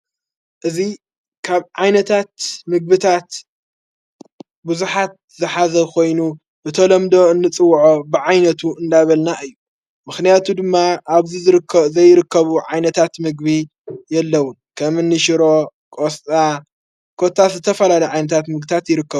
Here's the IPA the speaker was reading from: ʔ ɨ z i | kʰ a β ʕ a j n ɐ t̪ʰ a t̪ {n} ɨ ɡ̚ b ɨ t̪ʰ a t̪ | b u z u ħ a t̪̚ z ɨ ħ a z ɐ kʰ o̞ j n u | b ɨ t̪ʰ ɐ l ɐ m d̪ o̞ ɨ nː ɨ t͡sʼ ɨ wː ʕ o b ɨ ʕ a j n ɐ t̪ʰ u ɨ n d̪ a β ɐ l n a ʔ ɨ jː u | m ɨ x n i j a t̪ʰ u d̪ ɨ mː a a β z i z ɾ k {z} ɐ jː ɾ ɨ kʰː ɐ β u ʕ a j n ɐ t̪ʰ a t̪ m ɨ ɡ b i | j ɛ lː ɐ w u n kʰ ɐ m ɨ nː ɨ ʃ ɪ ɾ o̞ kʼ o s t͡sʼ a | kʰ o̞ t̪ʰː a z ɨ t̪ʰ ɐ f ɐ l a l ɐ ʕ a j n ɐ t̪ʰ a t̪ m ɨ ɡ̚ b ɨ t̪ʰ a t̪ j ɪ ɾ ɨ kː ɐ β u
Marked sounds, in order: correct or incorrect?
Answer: incorrect, correct

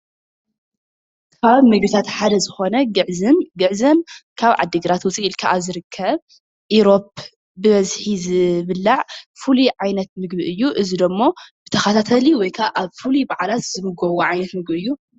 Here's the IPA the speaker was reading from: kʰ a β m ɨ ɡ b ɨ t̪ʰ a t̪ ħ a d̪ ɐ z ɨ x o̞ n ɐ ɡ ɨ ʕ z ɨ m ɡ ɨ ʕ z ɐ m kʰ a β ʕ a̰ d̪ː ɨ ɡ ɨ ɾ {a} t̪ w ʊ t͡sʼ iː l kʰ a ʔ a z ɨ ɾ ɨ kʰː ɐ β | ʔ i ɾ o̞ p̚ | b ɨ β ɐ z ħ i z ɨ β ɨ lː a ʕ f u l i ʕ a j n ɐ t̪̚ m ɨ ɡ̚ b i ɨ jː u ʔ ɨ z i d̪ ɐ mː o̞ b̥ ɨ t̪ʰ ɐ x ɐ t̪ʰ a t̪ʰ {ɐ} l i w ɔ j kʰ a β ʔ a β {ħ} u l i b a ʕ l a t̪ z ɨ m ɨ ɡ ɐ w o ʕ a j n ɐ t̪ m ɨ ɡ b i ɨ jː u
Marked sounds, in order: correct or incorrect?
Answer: correct, correct, incorrect

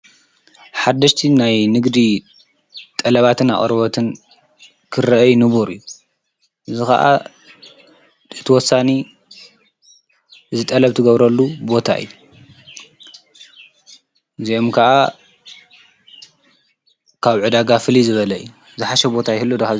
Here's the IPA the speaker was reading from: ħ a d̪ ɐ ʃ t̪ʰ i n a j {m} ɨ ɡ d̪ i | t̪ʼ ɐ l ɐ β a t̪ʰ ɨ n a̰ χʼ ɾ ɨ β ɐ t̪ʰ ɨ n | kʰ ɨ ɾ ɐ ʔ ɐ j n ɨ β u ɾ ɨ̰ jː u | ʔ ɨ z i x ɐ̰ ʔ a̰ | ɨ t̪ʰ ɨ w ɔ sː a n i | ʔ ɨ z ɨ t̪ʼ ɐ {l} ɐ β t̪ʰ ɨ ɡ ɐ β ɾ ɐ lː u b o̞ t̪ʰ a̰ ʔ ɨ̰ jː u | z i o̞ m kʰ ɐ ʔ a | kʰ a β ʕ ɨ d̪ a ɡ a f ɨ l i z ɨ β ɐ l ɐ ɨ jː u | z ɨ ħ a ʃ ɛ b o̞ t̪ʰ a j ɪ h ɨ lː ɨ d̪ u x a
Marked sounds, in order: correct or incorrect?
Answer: incorrect, correct

